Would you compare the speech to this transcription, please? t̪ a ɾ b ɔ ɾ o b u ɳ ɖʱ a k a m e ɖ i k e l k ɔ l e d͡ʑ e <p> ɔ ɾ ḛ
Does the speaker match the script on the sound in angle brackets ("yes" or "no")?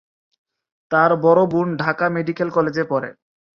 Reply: yes